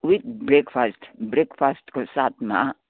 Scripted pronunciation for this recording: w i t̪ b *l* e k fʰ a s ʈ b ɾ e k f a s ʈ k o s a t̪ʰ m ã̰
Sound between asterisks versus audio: incorrect: ɾ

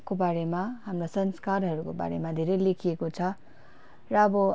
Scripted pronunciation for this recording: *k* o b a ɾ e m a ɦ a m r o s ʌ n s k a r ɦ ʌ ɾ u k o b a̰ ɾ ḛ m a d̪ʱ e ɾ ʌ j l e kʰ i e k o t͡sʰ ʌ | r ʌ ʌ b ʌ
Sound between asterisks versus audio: correct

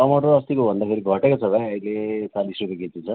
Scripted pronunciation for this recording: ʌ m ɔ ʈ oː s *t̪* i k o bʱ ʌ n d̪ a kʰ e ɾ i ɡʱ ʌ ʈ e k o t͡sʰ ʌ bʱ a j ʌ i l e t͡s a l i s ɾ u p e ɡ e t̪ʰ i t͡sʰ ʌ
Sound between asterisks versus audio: correct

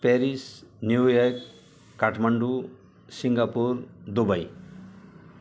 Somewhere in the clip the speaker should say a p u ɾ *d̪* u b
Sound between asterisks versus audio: correct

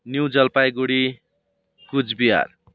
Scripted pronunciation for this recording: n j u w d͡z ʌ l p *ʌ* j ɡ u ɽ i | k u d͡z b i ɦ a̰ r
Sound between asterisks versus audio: incorrect: a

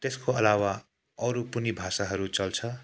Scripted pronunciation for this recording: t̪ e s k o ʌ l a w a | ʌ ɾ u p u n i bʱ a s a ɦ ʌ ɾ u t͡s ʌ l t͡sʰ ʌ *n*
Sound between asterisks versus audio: incorrect: none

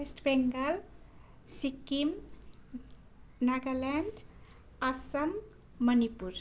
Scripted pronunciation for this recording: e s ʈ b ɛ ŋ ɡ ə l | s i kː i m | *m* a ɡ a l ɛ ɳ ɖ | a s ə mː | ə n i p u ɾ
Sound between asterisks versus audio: incorrect: n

